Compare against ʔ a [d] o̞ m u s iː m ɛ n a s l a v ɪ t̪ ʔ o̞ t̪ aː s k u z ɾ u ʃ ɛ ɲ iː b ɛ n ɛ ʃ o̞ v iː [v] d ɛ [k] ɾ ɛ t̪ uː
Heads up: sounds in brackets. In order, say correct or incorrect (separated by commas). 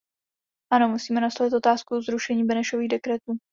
incorrect, incorrect, correct